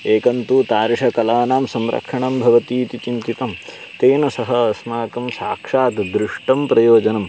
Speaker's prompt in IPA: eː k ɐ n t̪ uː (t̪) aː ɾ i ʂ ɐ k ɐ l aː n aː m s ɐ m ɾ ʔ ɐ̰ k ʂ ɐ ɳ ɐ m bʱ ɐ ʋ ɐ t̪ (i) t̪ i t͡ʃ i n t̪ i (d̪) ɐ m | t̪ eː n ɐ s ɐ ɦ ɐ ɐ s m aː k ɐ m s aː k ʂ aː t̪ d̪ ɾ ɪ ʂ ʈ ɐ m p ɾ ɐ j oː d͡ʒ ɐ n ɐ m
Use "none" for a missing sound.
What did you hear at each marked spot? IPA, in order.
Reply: t̪, iː, t̪

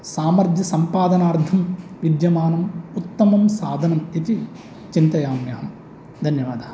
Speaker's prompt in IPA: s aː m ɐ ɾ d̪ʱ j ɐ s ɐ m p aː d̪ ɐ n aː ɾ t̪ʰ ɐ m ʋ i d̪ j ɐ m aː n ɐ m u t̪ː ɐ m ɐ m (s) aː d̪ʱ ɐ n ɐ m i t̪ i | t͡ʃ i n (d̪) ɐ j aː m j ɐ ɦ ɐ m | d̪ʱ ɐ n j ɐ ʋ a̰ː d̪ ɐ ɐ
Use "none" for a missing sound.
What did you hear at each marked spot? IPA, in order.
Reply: s, t̪

